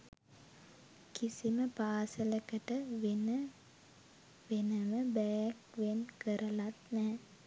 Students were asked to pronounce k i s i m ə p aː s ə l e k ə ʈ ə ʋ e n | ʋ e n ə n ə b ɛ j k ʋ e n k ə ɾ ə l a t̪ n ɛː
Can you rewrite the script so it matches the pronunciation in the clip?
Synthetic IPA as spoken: k i s i m ə p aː s ə l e k ə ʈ ə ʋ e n | ʋ e n ə m ə b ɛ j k ʋ e n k ə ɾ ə l a t̪ n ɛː